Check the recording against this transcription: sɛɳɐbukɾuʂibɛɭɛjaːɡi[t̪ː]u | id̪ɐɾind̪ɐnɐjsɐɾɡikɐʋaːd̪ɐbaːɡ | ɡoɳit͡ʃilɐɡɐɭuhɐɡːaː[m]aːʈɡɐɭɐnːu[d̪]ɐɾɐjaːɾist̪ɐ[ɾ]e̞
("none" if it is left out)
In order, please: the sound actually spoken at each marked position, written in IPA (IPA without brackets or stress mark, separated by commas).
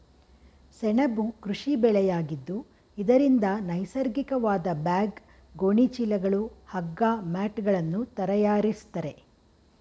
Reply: d̪ː, m, t̪, ɾ